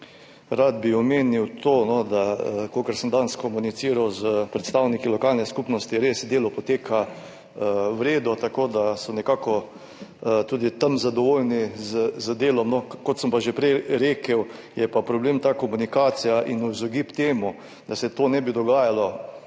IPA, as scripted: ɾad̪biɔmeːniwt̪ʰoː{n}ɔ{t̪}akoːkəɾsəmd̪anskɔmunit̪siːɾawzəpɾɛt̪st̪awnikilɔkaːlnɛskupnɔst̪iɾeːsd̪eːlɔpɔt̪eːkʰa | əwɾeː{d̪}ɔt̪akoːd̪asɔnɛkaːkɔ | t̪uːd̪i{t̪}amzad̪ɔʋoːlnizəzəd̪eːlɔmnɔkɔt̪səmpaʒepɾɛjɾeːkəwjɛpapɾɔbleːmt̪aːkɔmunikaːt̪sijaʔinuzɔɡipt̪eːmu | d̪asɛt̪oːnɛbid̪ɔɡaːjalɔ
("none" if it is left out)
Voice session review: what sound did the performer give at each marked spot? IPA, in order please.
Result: n, d̪, d̪, t̪

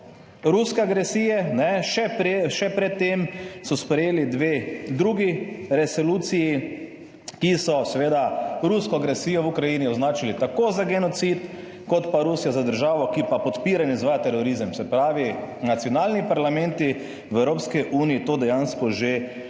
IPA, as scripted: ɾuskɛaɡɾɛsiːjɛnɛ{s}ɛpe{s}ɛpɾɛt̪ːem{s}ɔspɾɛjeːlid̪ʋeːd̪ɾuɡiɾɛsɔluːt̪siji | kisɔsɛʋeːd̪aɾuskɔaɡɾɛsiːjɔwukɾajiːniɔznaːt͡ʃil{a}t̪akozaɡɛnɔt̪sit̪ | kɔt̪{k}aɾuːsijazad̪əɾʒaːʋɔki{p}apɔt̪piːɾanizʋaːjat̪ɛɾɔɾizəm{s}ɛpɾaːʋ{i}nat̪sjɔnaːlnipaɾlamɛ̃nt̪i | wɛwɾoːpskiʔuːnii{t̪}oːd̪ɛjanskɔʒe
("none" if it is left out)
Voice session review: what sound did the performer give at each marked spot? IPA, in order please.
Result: ʃ, ʃ, s, i, p, p, s, i, t̪

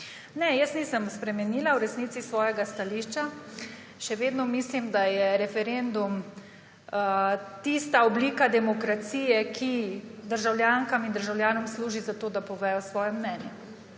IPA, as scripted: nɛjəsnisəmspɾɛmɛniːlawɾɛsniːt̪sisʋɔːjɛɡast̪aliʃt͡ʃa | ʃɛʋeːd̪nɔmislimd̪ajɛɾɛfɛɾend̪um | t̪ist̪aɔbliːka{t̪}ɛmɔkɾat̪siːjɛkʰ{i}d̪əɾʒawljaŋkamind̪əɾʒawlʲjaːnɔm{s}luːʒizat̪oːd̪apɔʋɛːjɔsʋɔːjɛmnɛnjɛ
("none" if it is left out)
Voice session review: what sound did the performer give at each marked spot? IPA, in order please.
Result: d̪, i, s

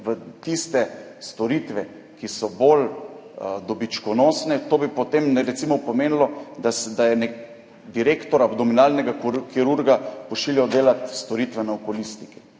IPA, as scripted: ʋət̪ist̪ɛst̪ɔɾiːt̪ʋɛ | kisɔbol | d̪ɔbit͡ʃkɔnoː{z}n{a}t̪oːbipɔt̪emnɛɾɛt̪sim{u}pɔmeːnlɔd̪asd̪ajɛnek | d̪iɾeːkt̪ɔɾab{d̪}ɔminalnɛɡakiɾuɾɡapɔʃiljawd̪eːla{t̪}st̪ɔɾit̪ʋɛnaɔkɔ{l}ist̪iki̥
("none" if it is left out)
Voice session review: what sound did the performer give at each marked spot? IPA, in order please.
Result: s, ɛ, ɔ, d̪, t̪, l

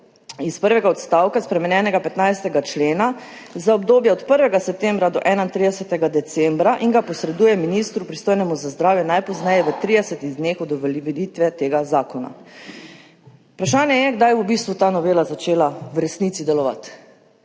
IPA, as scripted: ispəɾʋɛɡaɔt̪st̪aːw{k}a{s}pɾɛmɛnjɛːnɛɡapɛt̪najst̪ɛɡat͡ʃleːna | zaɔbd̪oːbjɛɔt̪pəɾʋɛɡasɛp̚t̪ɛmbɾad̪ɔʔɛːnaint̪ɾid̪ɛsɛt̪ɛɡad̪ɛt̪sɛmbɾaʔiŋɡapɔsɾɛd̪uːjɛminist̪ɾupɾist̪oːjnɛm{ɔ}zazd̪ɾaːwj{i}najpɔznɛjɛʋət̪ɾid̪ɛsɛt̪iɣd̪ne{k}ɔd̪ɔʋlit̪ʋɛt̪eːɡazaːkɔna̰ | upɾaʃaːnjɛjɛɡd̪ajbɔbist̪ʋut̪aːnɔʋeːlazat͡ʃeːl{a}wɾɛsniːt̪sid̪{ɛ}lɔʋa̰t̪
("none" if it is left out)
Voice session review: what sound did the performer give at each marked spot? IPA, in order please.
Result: k, s, u, ɛ, x, a, ɛ

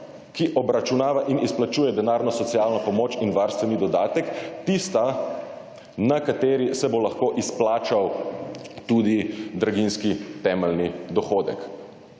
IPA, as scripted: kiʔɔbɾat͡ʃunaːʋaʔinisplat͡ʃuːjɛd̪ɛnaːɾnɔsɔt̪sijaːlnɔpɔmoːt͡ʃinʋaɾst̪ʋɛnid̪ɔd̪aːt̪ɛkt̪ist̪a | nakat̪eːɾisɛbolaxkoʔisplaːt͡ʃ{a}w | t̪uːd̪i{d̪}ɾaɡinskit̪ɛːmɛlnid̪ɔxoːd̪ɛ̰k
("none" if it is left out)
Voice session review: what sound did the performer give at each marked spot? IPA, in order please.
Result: a, d̪

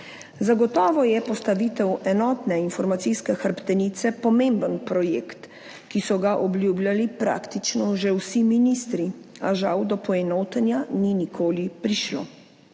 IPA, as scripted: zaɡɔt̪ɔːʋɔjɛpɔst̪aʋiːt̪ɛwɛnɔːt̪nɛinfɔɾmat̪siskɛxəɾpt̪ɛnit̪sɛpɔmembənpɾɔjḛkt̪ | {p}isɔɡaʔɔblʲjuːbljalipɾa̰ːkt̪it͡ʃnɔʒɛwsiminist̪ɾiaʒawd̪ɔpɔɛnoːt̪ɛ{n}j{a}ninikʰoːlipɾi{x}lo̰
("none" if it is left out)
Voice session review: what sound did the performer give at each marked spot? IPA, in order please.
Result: k, n, a, ʃ

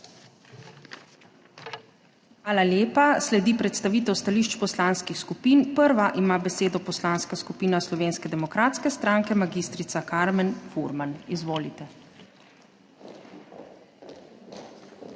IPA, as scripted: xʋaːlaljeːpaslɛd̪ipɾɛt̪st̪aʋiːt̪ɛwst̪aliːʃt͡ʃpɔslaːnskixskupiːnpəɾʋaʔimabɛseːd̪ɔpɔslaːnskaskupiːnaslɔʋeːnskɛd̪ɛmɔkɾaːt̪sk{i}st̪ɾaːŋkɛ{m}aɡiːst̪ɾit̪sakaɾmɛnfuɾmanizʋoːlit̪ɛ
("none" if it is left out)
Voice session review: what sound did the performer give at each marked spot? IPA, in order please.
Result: ɛ, m

